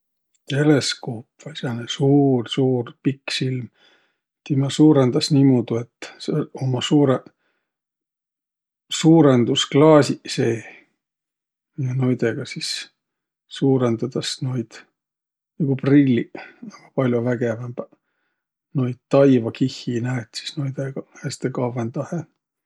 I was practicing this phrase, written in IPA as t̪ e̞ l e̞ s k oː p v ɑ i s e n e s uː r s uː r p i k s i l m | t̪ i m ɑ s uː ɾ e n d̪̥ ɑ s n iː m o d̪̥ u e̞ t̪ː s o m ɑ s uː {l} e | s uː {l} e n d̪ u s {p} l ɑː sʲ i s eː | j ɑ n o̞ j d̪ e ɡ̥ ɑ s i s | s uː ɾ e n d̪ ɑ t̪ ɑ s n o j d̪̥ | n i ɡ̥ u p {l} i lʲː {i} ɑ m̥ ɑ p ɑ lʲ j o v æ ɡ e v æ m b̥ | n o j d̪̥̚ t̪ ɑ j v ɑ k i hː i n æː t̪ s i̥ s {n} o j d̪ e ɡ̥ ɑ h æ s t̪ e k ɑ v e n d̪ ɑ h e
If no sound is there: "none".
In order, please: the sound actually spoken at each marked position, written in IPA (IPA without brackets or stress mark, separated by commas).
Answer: ɾ, ɾ, k, r, i, n